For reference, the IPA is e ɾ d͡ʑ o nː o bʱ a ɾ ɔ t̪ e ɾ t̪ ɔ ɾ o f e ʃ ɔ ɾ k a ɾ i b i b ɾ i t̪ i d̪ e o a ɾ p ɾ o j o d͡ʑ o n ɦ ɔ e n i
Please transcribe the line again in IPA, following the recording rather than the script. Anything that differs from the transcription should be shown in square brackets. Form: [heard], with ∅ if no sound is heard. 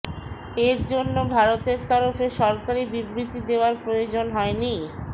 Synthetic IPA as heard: e ɾ d͡ʑ o nː o bʱ a ɾ [o] t̪ e ɾ t̪ ɔ ɾ o f e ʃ ɔ ɾ k a ɾ i b i b ɾ i t̪ i d̪ e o a ɾ p ɾ o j o d͡ʑ o n ɦ ɔ e n i